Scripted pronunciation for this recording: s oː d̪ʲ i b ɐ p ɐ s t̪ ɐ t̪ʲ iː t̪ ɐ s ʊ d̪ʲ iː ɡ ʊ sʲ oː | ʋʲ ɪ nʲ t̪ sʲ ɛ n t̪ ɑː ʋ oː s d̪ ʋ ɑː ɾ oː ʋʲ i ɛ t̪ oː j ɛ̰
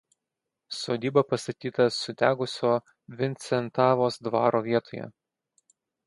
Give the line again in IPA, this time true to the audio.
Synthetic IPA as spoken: s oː d̪ʲ iː b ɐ p ɐ s t̪ ɐ t̪ʲ iː t̪ ɐ s ʊ d̪ʲ æː ɡ ʊ sʲ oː | ʋʲ ɪ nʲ t̪ sʲ ɛ n t̪ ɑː ʋ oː s d̪ ʋ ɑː ɾ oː ʋʲ i ɛ t̪ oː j ɛ̰